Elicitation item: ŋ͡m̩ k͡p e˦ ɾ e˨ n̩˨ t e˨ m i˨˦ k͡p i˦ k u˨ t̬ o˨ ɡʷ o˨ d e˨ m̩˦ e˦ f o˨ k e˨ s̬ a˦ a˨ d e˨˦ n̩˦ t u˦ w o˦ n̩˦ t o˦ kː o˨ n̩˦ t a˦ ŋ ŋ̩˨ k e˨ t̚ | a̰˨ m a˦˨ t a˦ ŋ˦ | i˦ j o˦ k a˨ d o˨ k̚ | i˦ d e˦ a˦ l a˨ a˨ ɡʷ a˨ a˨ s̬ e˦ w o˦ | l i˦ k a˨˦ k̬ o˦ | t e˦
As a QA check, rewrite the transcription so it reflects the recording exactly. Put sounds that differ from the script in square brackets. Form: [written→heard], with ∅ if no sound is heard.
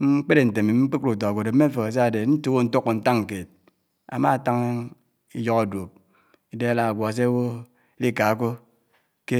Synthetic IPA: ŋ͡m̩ k͡p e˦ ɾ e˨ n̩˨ t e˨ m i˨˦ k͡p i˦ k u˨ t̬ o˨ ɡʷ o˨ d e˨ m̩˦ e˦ f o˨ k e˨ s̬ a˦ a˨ d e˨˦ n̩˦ t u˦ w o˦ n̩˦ t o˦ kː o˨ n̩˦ t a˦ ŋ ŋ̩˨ k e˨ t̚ | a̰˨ m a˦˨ t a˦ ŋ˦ | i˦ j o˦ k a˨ d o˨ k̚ | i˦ d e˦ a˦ l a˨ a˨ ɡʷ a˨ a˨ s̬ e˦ w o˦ | l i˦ k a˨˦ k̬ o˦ | [t→k] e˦